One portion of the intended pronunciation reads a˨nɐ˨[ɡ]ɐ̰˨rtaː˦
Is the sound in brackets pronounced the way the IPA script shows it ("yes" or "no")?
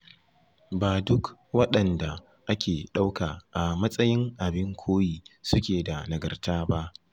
yes